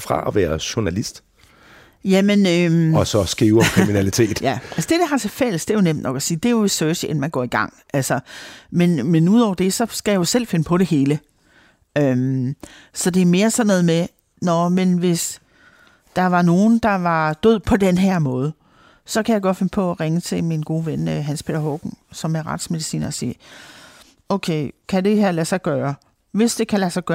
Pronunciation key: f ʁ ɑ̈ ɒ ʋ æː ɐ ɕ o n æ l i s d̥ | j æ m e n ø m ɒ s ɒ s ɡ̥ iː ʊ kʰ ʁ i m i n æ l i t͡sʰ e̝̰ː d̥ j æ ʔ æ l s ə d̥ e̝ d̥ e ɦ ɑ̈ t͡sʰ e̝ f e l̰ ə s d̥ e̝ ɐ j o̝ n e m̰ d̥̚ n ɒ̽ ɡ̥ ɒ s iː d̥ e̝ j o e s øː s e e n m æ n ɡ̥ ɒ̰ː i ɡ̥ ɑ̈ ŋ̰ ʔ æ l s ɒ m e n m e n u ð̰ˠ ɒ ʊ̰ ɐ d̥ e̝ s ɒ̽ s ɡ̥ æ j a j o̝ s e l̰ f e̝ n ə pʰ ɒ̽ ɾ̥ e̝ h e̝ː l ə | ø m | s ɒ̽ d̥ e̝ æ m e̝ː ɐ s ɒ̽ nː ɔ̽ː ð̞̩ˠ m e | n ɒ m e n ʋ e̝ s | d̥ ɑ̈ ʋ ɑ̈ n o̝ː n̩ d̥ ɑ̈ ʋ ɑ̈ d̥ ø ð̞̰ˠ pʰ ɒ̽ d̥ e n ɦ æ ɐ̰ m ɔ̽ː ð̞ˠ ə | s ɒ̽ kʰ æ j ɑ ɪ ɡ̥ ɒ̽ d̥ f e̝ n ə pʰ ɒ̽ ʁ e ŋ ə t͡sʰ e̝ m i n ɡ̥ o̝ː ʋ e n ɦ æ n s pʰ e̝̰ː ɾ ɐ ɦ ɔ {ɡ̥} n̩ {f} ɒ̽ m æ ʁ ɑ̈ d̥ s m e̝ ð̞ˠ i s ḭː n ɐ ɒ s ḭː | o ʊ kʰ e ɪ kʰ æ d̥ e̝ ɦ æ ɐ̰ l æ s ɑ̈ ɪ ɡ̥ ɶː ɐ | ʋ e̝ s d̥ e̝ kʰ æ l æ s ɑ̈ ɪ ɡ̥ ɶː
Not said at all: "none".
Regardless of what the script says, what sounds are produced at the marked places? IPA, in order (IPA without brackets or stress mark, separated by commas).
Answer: ɡ̥, s